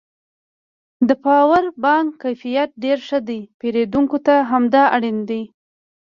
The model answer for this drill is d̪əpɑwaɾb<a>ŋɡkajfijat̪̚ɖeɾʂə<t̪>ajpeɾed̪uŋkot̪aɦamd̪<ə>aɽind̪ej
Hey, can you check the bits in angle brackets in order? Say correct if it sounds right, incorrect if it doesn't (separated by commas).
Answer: incorrect, incorrect, incorrect